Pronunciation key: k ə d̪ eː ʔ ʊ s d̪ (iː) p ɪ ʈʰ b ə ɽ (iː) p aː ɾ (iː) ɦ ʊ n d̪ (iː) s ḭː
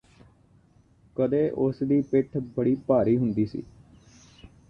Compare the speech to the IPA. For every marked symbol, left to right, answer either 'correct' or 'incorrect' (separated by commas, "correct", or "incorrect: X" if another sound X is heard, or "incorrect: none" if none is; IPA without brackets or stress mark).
correct, correct, correct, correct